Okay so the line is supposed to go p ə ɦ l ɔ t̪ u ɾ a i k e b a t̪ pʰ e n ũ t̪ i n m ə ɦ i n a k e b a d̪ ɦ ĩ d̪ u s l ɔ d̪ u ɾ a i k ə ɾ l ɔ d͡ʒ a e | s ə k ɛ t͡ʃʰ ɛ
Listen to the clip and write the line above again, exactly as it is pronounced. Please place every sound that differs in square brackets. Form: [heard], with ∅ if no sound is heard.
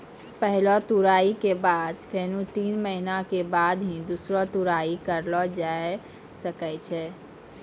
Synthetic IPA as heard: p ə ɦ l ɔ t̪ u ɾ a i k e b a [d̪] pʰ e n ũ t̪ i n m ə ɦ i n a k e b a d̪ ɦ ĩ d̪ u s [ɾ] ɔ [t̪] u ɾ a i k ə ɾ l ɔ d͡ʒ a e | s ə k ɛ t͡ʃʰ ɛ